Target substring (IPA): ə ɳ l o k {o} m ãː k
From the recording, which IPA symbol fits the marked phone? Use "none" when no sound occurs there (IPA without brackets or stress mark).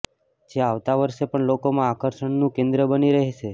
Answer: o